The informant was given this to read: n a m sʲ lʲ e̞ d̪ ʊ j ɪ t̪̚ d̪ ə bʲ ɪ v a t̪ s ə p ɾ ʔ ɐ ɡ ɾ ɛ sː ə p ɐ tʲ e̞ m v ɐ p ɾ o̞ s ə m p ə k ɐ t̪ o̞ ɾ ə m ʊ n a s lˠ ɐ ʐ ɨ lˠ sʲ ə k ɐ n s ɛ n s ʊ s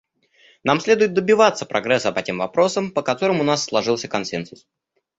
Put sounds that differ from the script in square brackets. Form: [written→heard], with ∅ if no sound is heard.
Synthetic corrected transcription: n a m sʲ lʲ e̞ d̪ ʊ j ɪ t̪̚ d̪ ə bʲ ɪ v a t̪ s ə p ɾ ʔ ɐ ɡ ɾ ɛ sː ə p ɐ tʲ e̞ m v ɐ p ɾ o̞ s ə m p ə k ɐ t̪ o̞ ɾ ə m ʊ n a [s→sː] lˠ ɐ ʐ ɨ lˠ sʲ ə k ɐ n s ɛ n s ʊ s